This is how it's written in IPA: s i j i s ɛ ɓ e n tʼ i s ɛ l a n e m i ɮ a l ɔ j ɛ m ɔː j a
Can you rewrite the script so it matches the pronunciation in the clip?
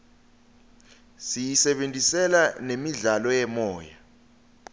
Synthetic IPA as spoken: s i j i s ɛ ɓ e n tʼ i s ɛ l a n e m i ɮ a l ɔ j ɛ m ɔː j a

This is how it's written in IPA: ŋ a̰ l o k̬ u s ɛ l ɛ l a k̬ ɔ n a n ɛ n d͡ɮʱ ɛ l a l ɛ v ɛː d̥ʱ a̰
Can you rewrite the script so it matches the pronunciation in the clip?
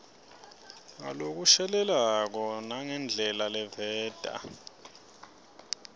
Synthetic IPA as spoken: ŋ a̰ l o k̬ u ʃ ɛ l ɛ l a k̬ ɔ n a ŋ ɛ n d͡ɮʱ ɛ l a l ɛ v ɛː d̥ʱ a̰

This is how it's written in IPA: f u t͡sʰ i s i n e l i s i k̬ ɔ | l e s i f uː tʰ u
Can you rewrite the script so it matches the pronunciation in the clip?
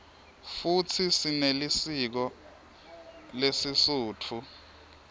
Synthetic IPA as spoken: f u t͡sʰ i s i n e l i s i k̬ ɔ | l e s i s uː tʰ u

